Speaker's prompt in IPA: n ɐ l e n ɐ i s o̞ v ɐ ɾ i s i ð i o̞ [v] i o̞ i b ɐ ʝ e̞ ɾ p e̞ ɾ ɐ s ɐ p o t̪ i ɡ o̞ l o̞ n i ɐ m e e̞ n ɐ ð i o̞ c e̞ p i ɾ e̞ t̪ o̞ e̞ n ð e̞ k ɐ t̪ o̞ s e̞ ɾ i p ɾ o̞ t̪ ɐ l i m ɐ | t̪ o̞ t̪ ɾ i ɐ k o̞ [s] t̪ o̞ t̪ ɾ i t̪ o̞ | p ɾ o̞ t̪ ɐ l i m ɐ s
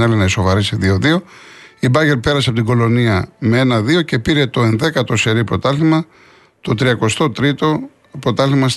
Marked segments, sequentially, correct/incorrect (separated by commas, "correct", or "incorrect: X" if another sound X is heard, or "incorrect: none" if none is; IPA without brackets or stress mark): incorrect: ð, correct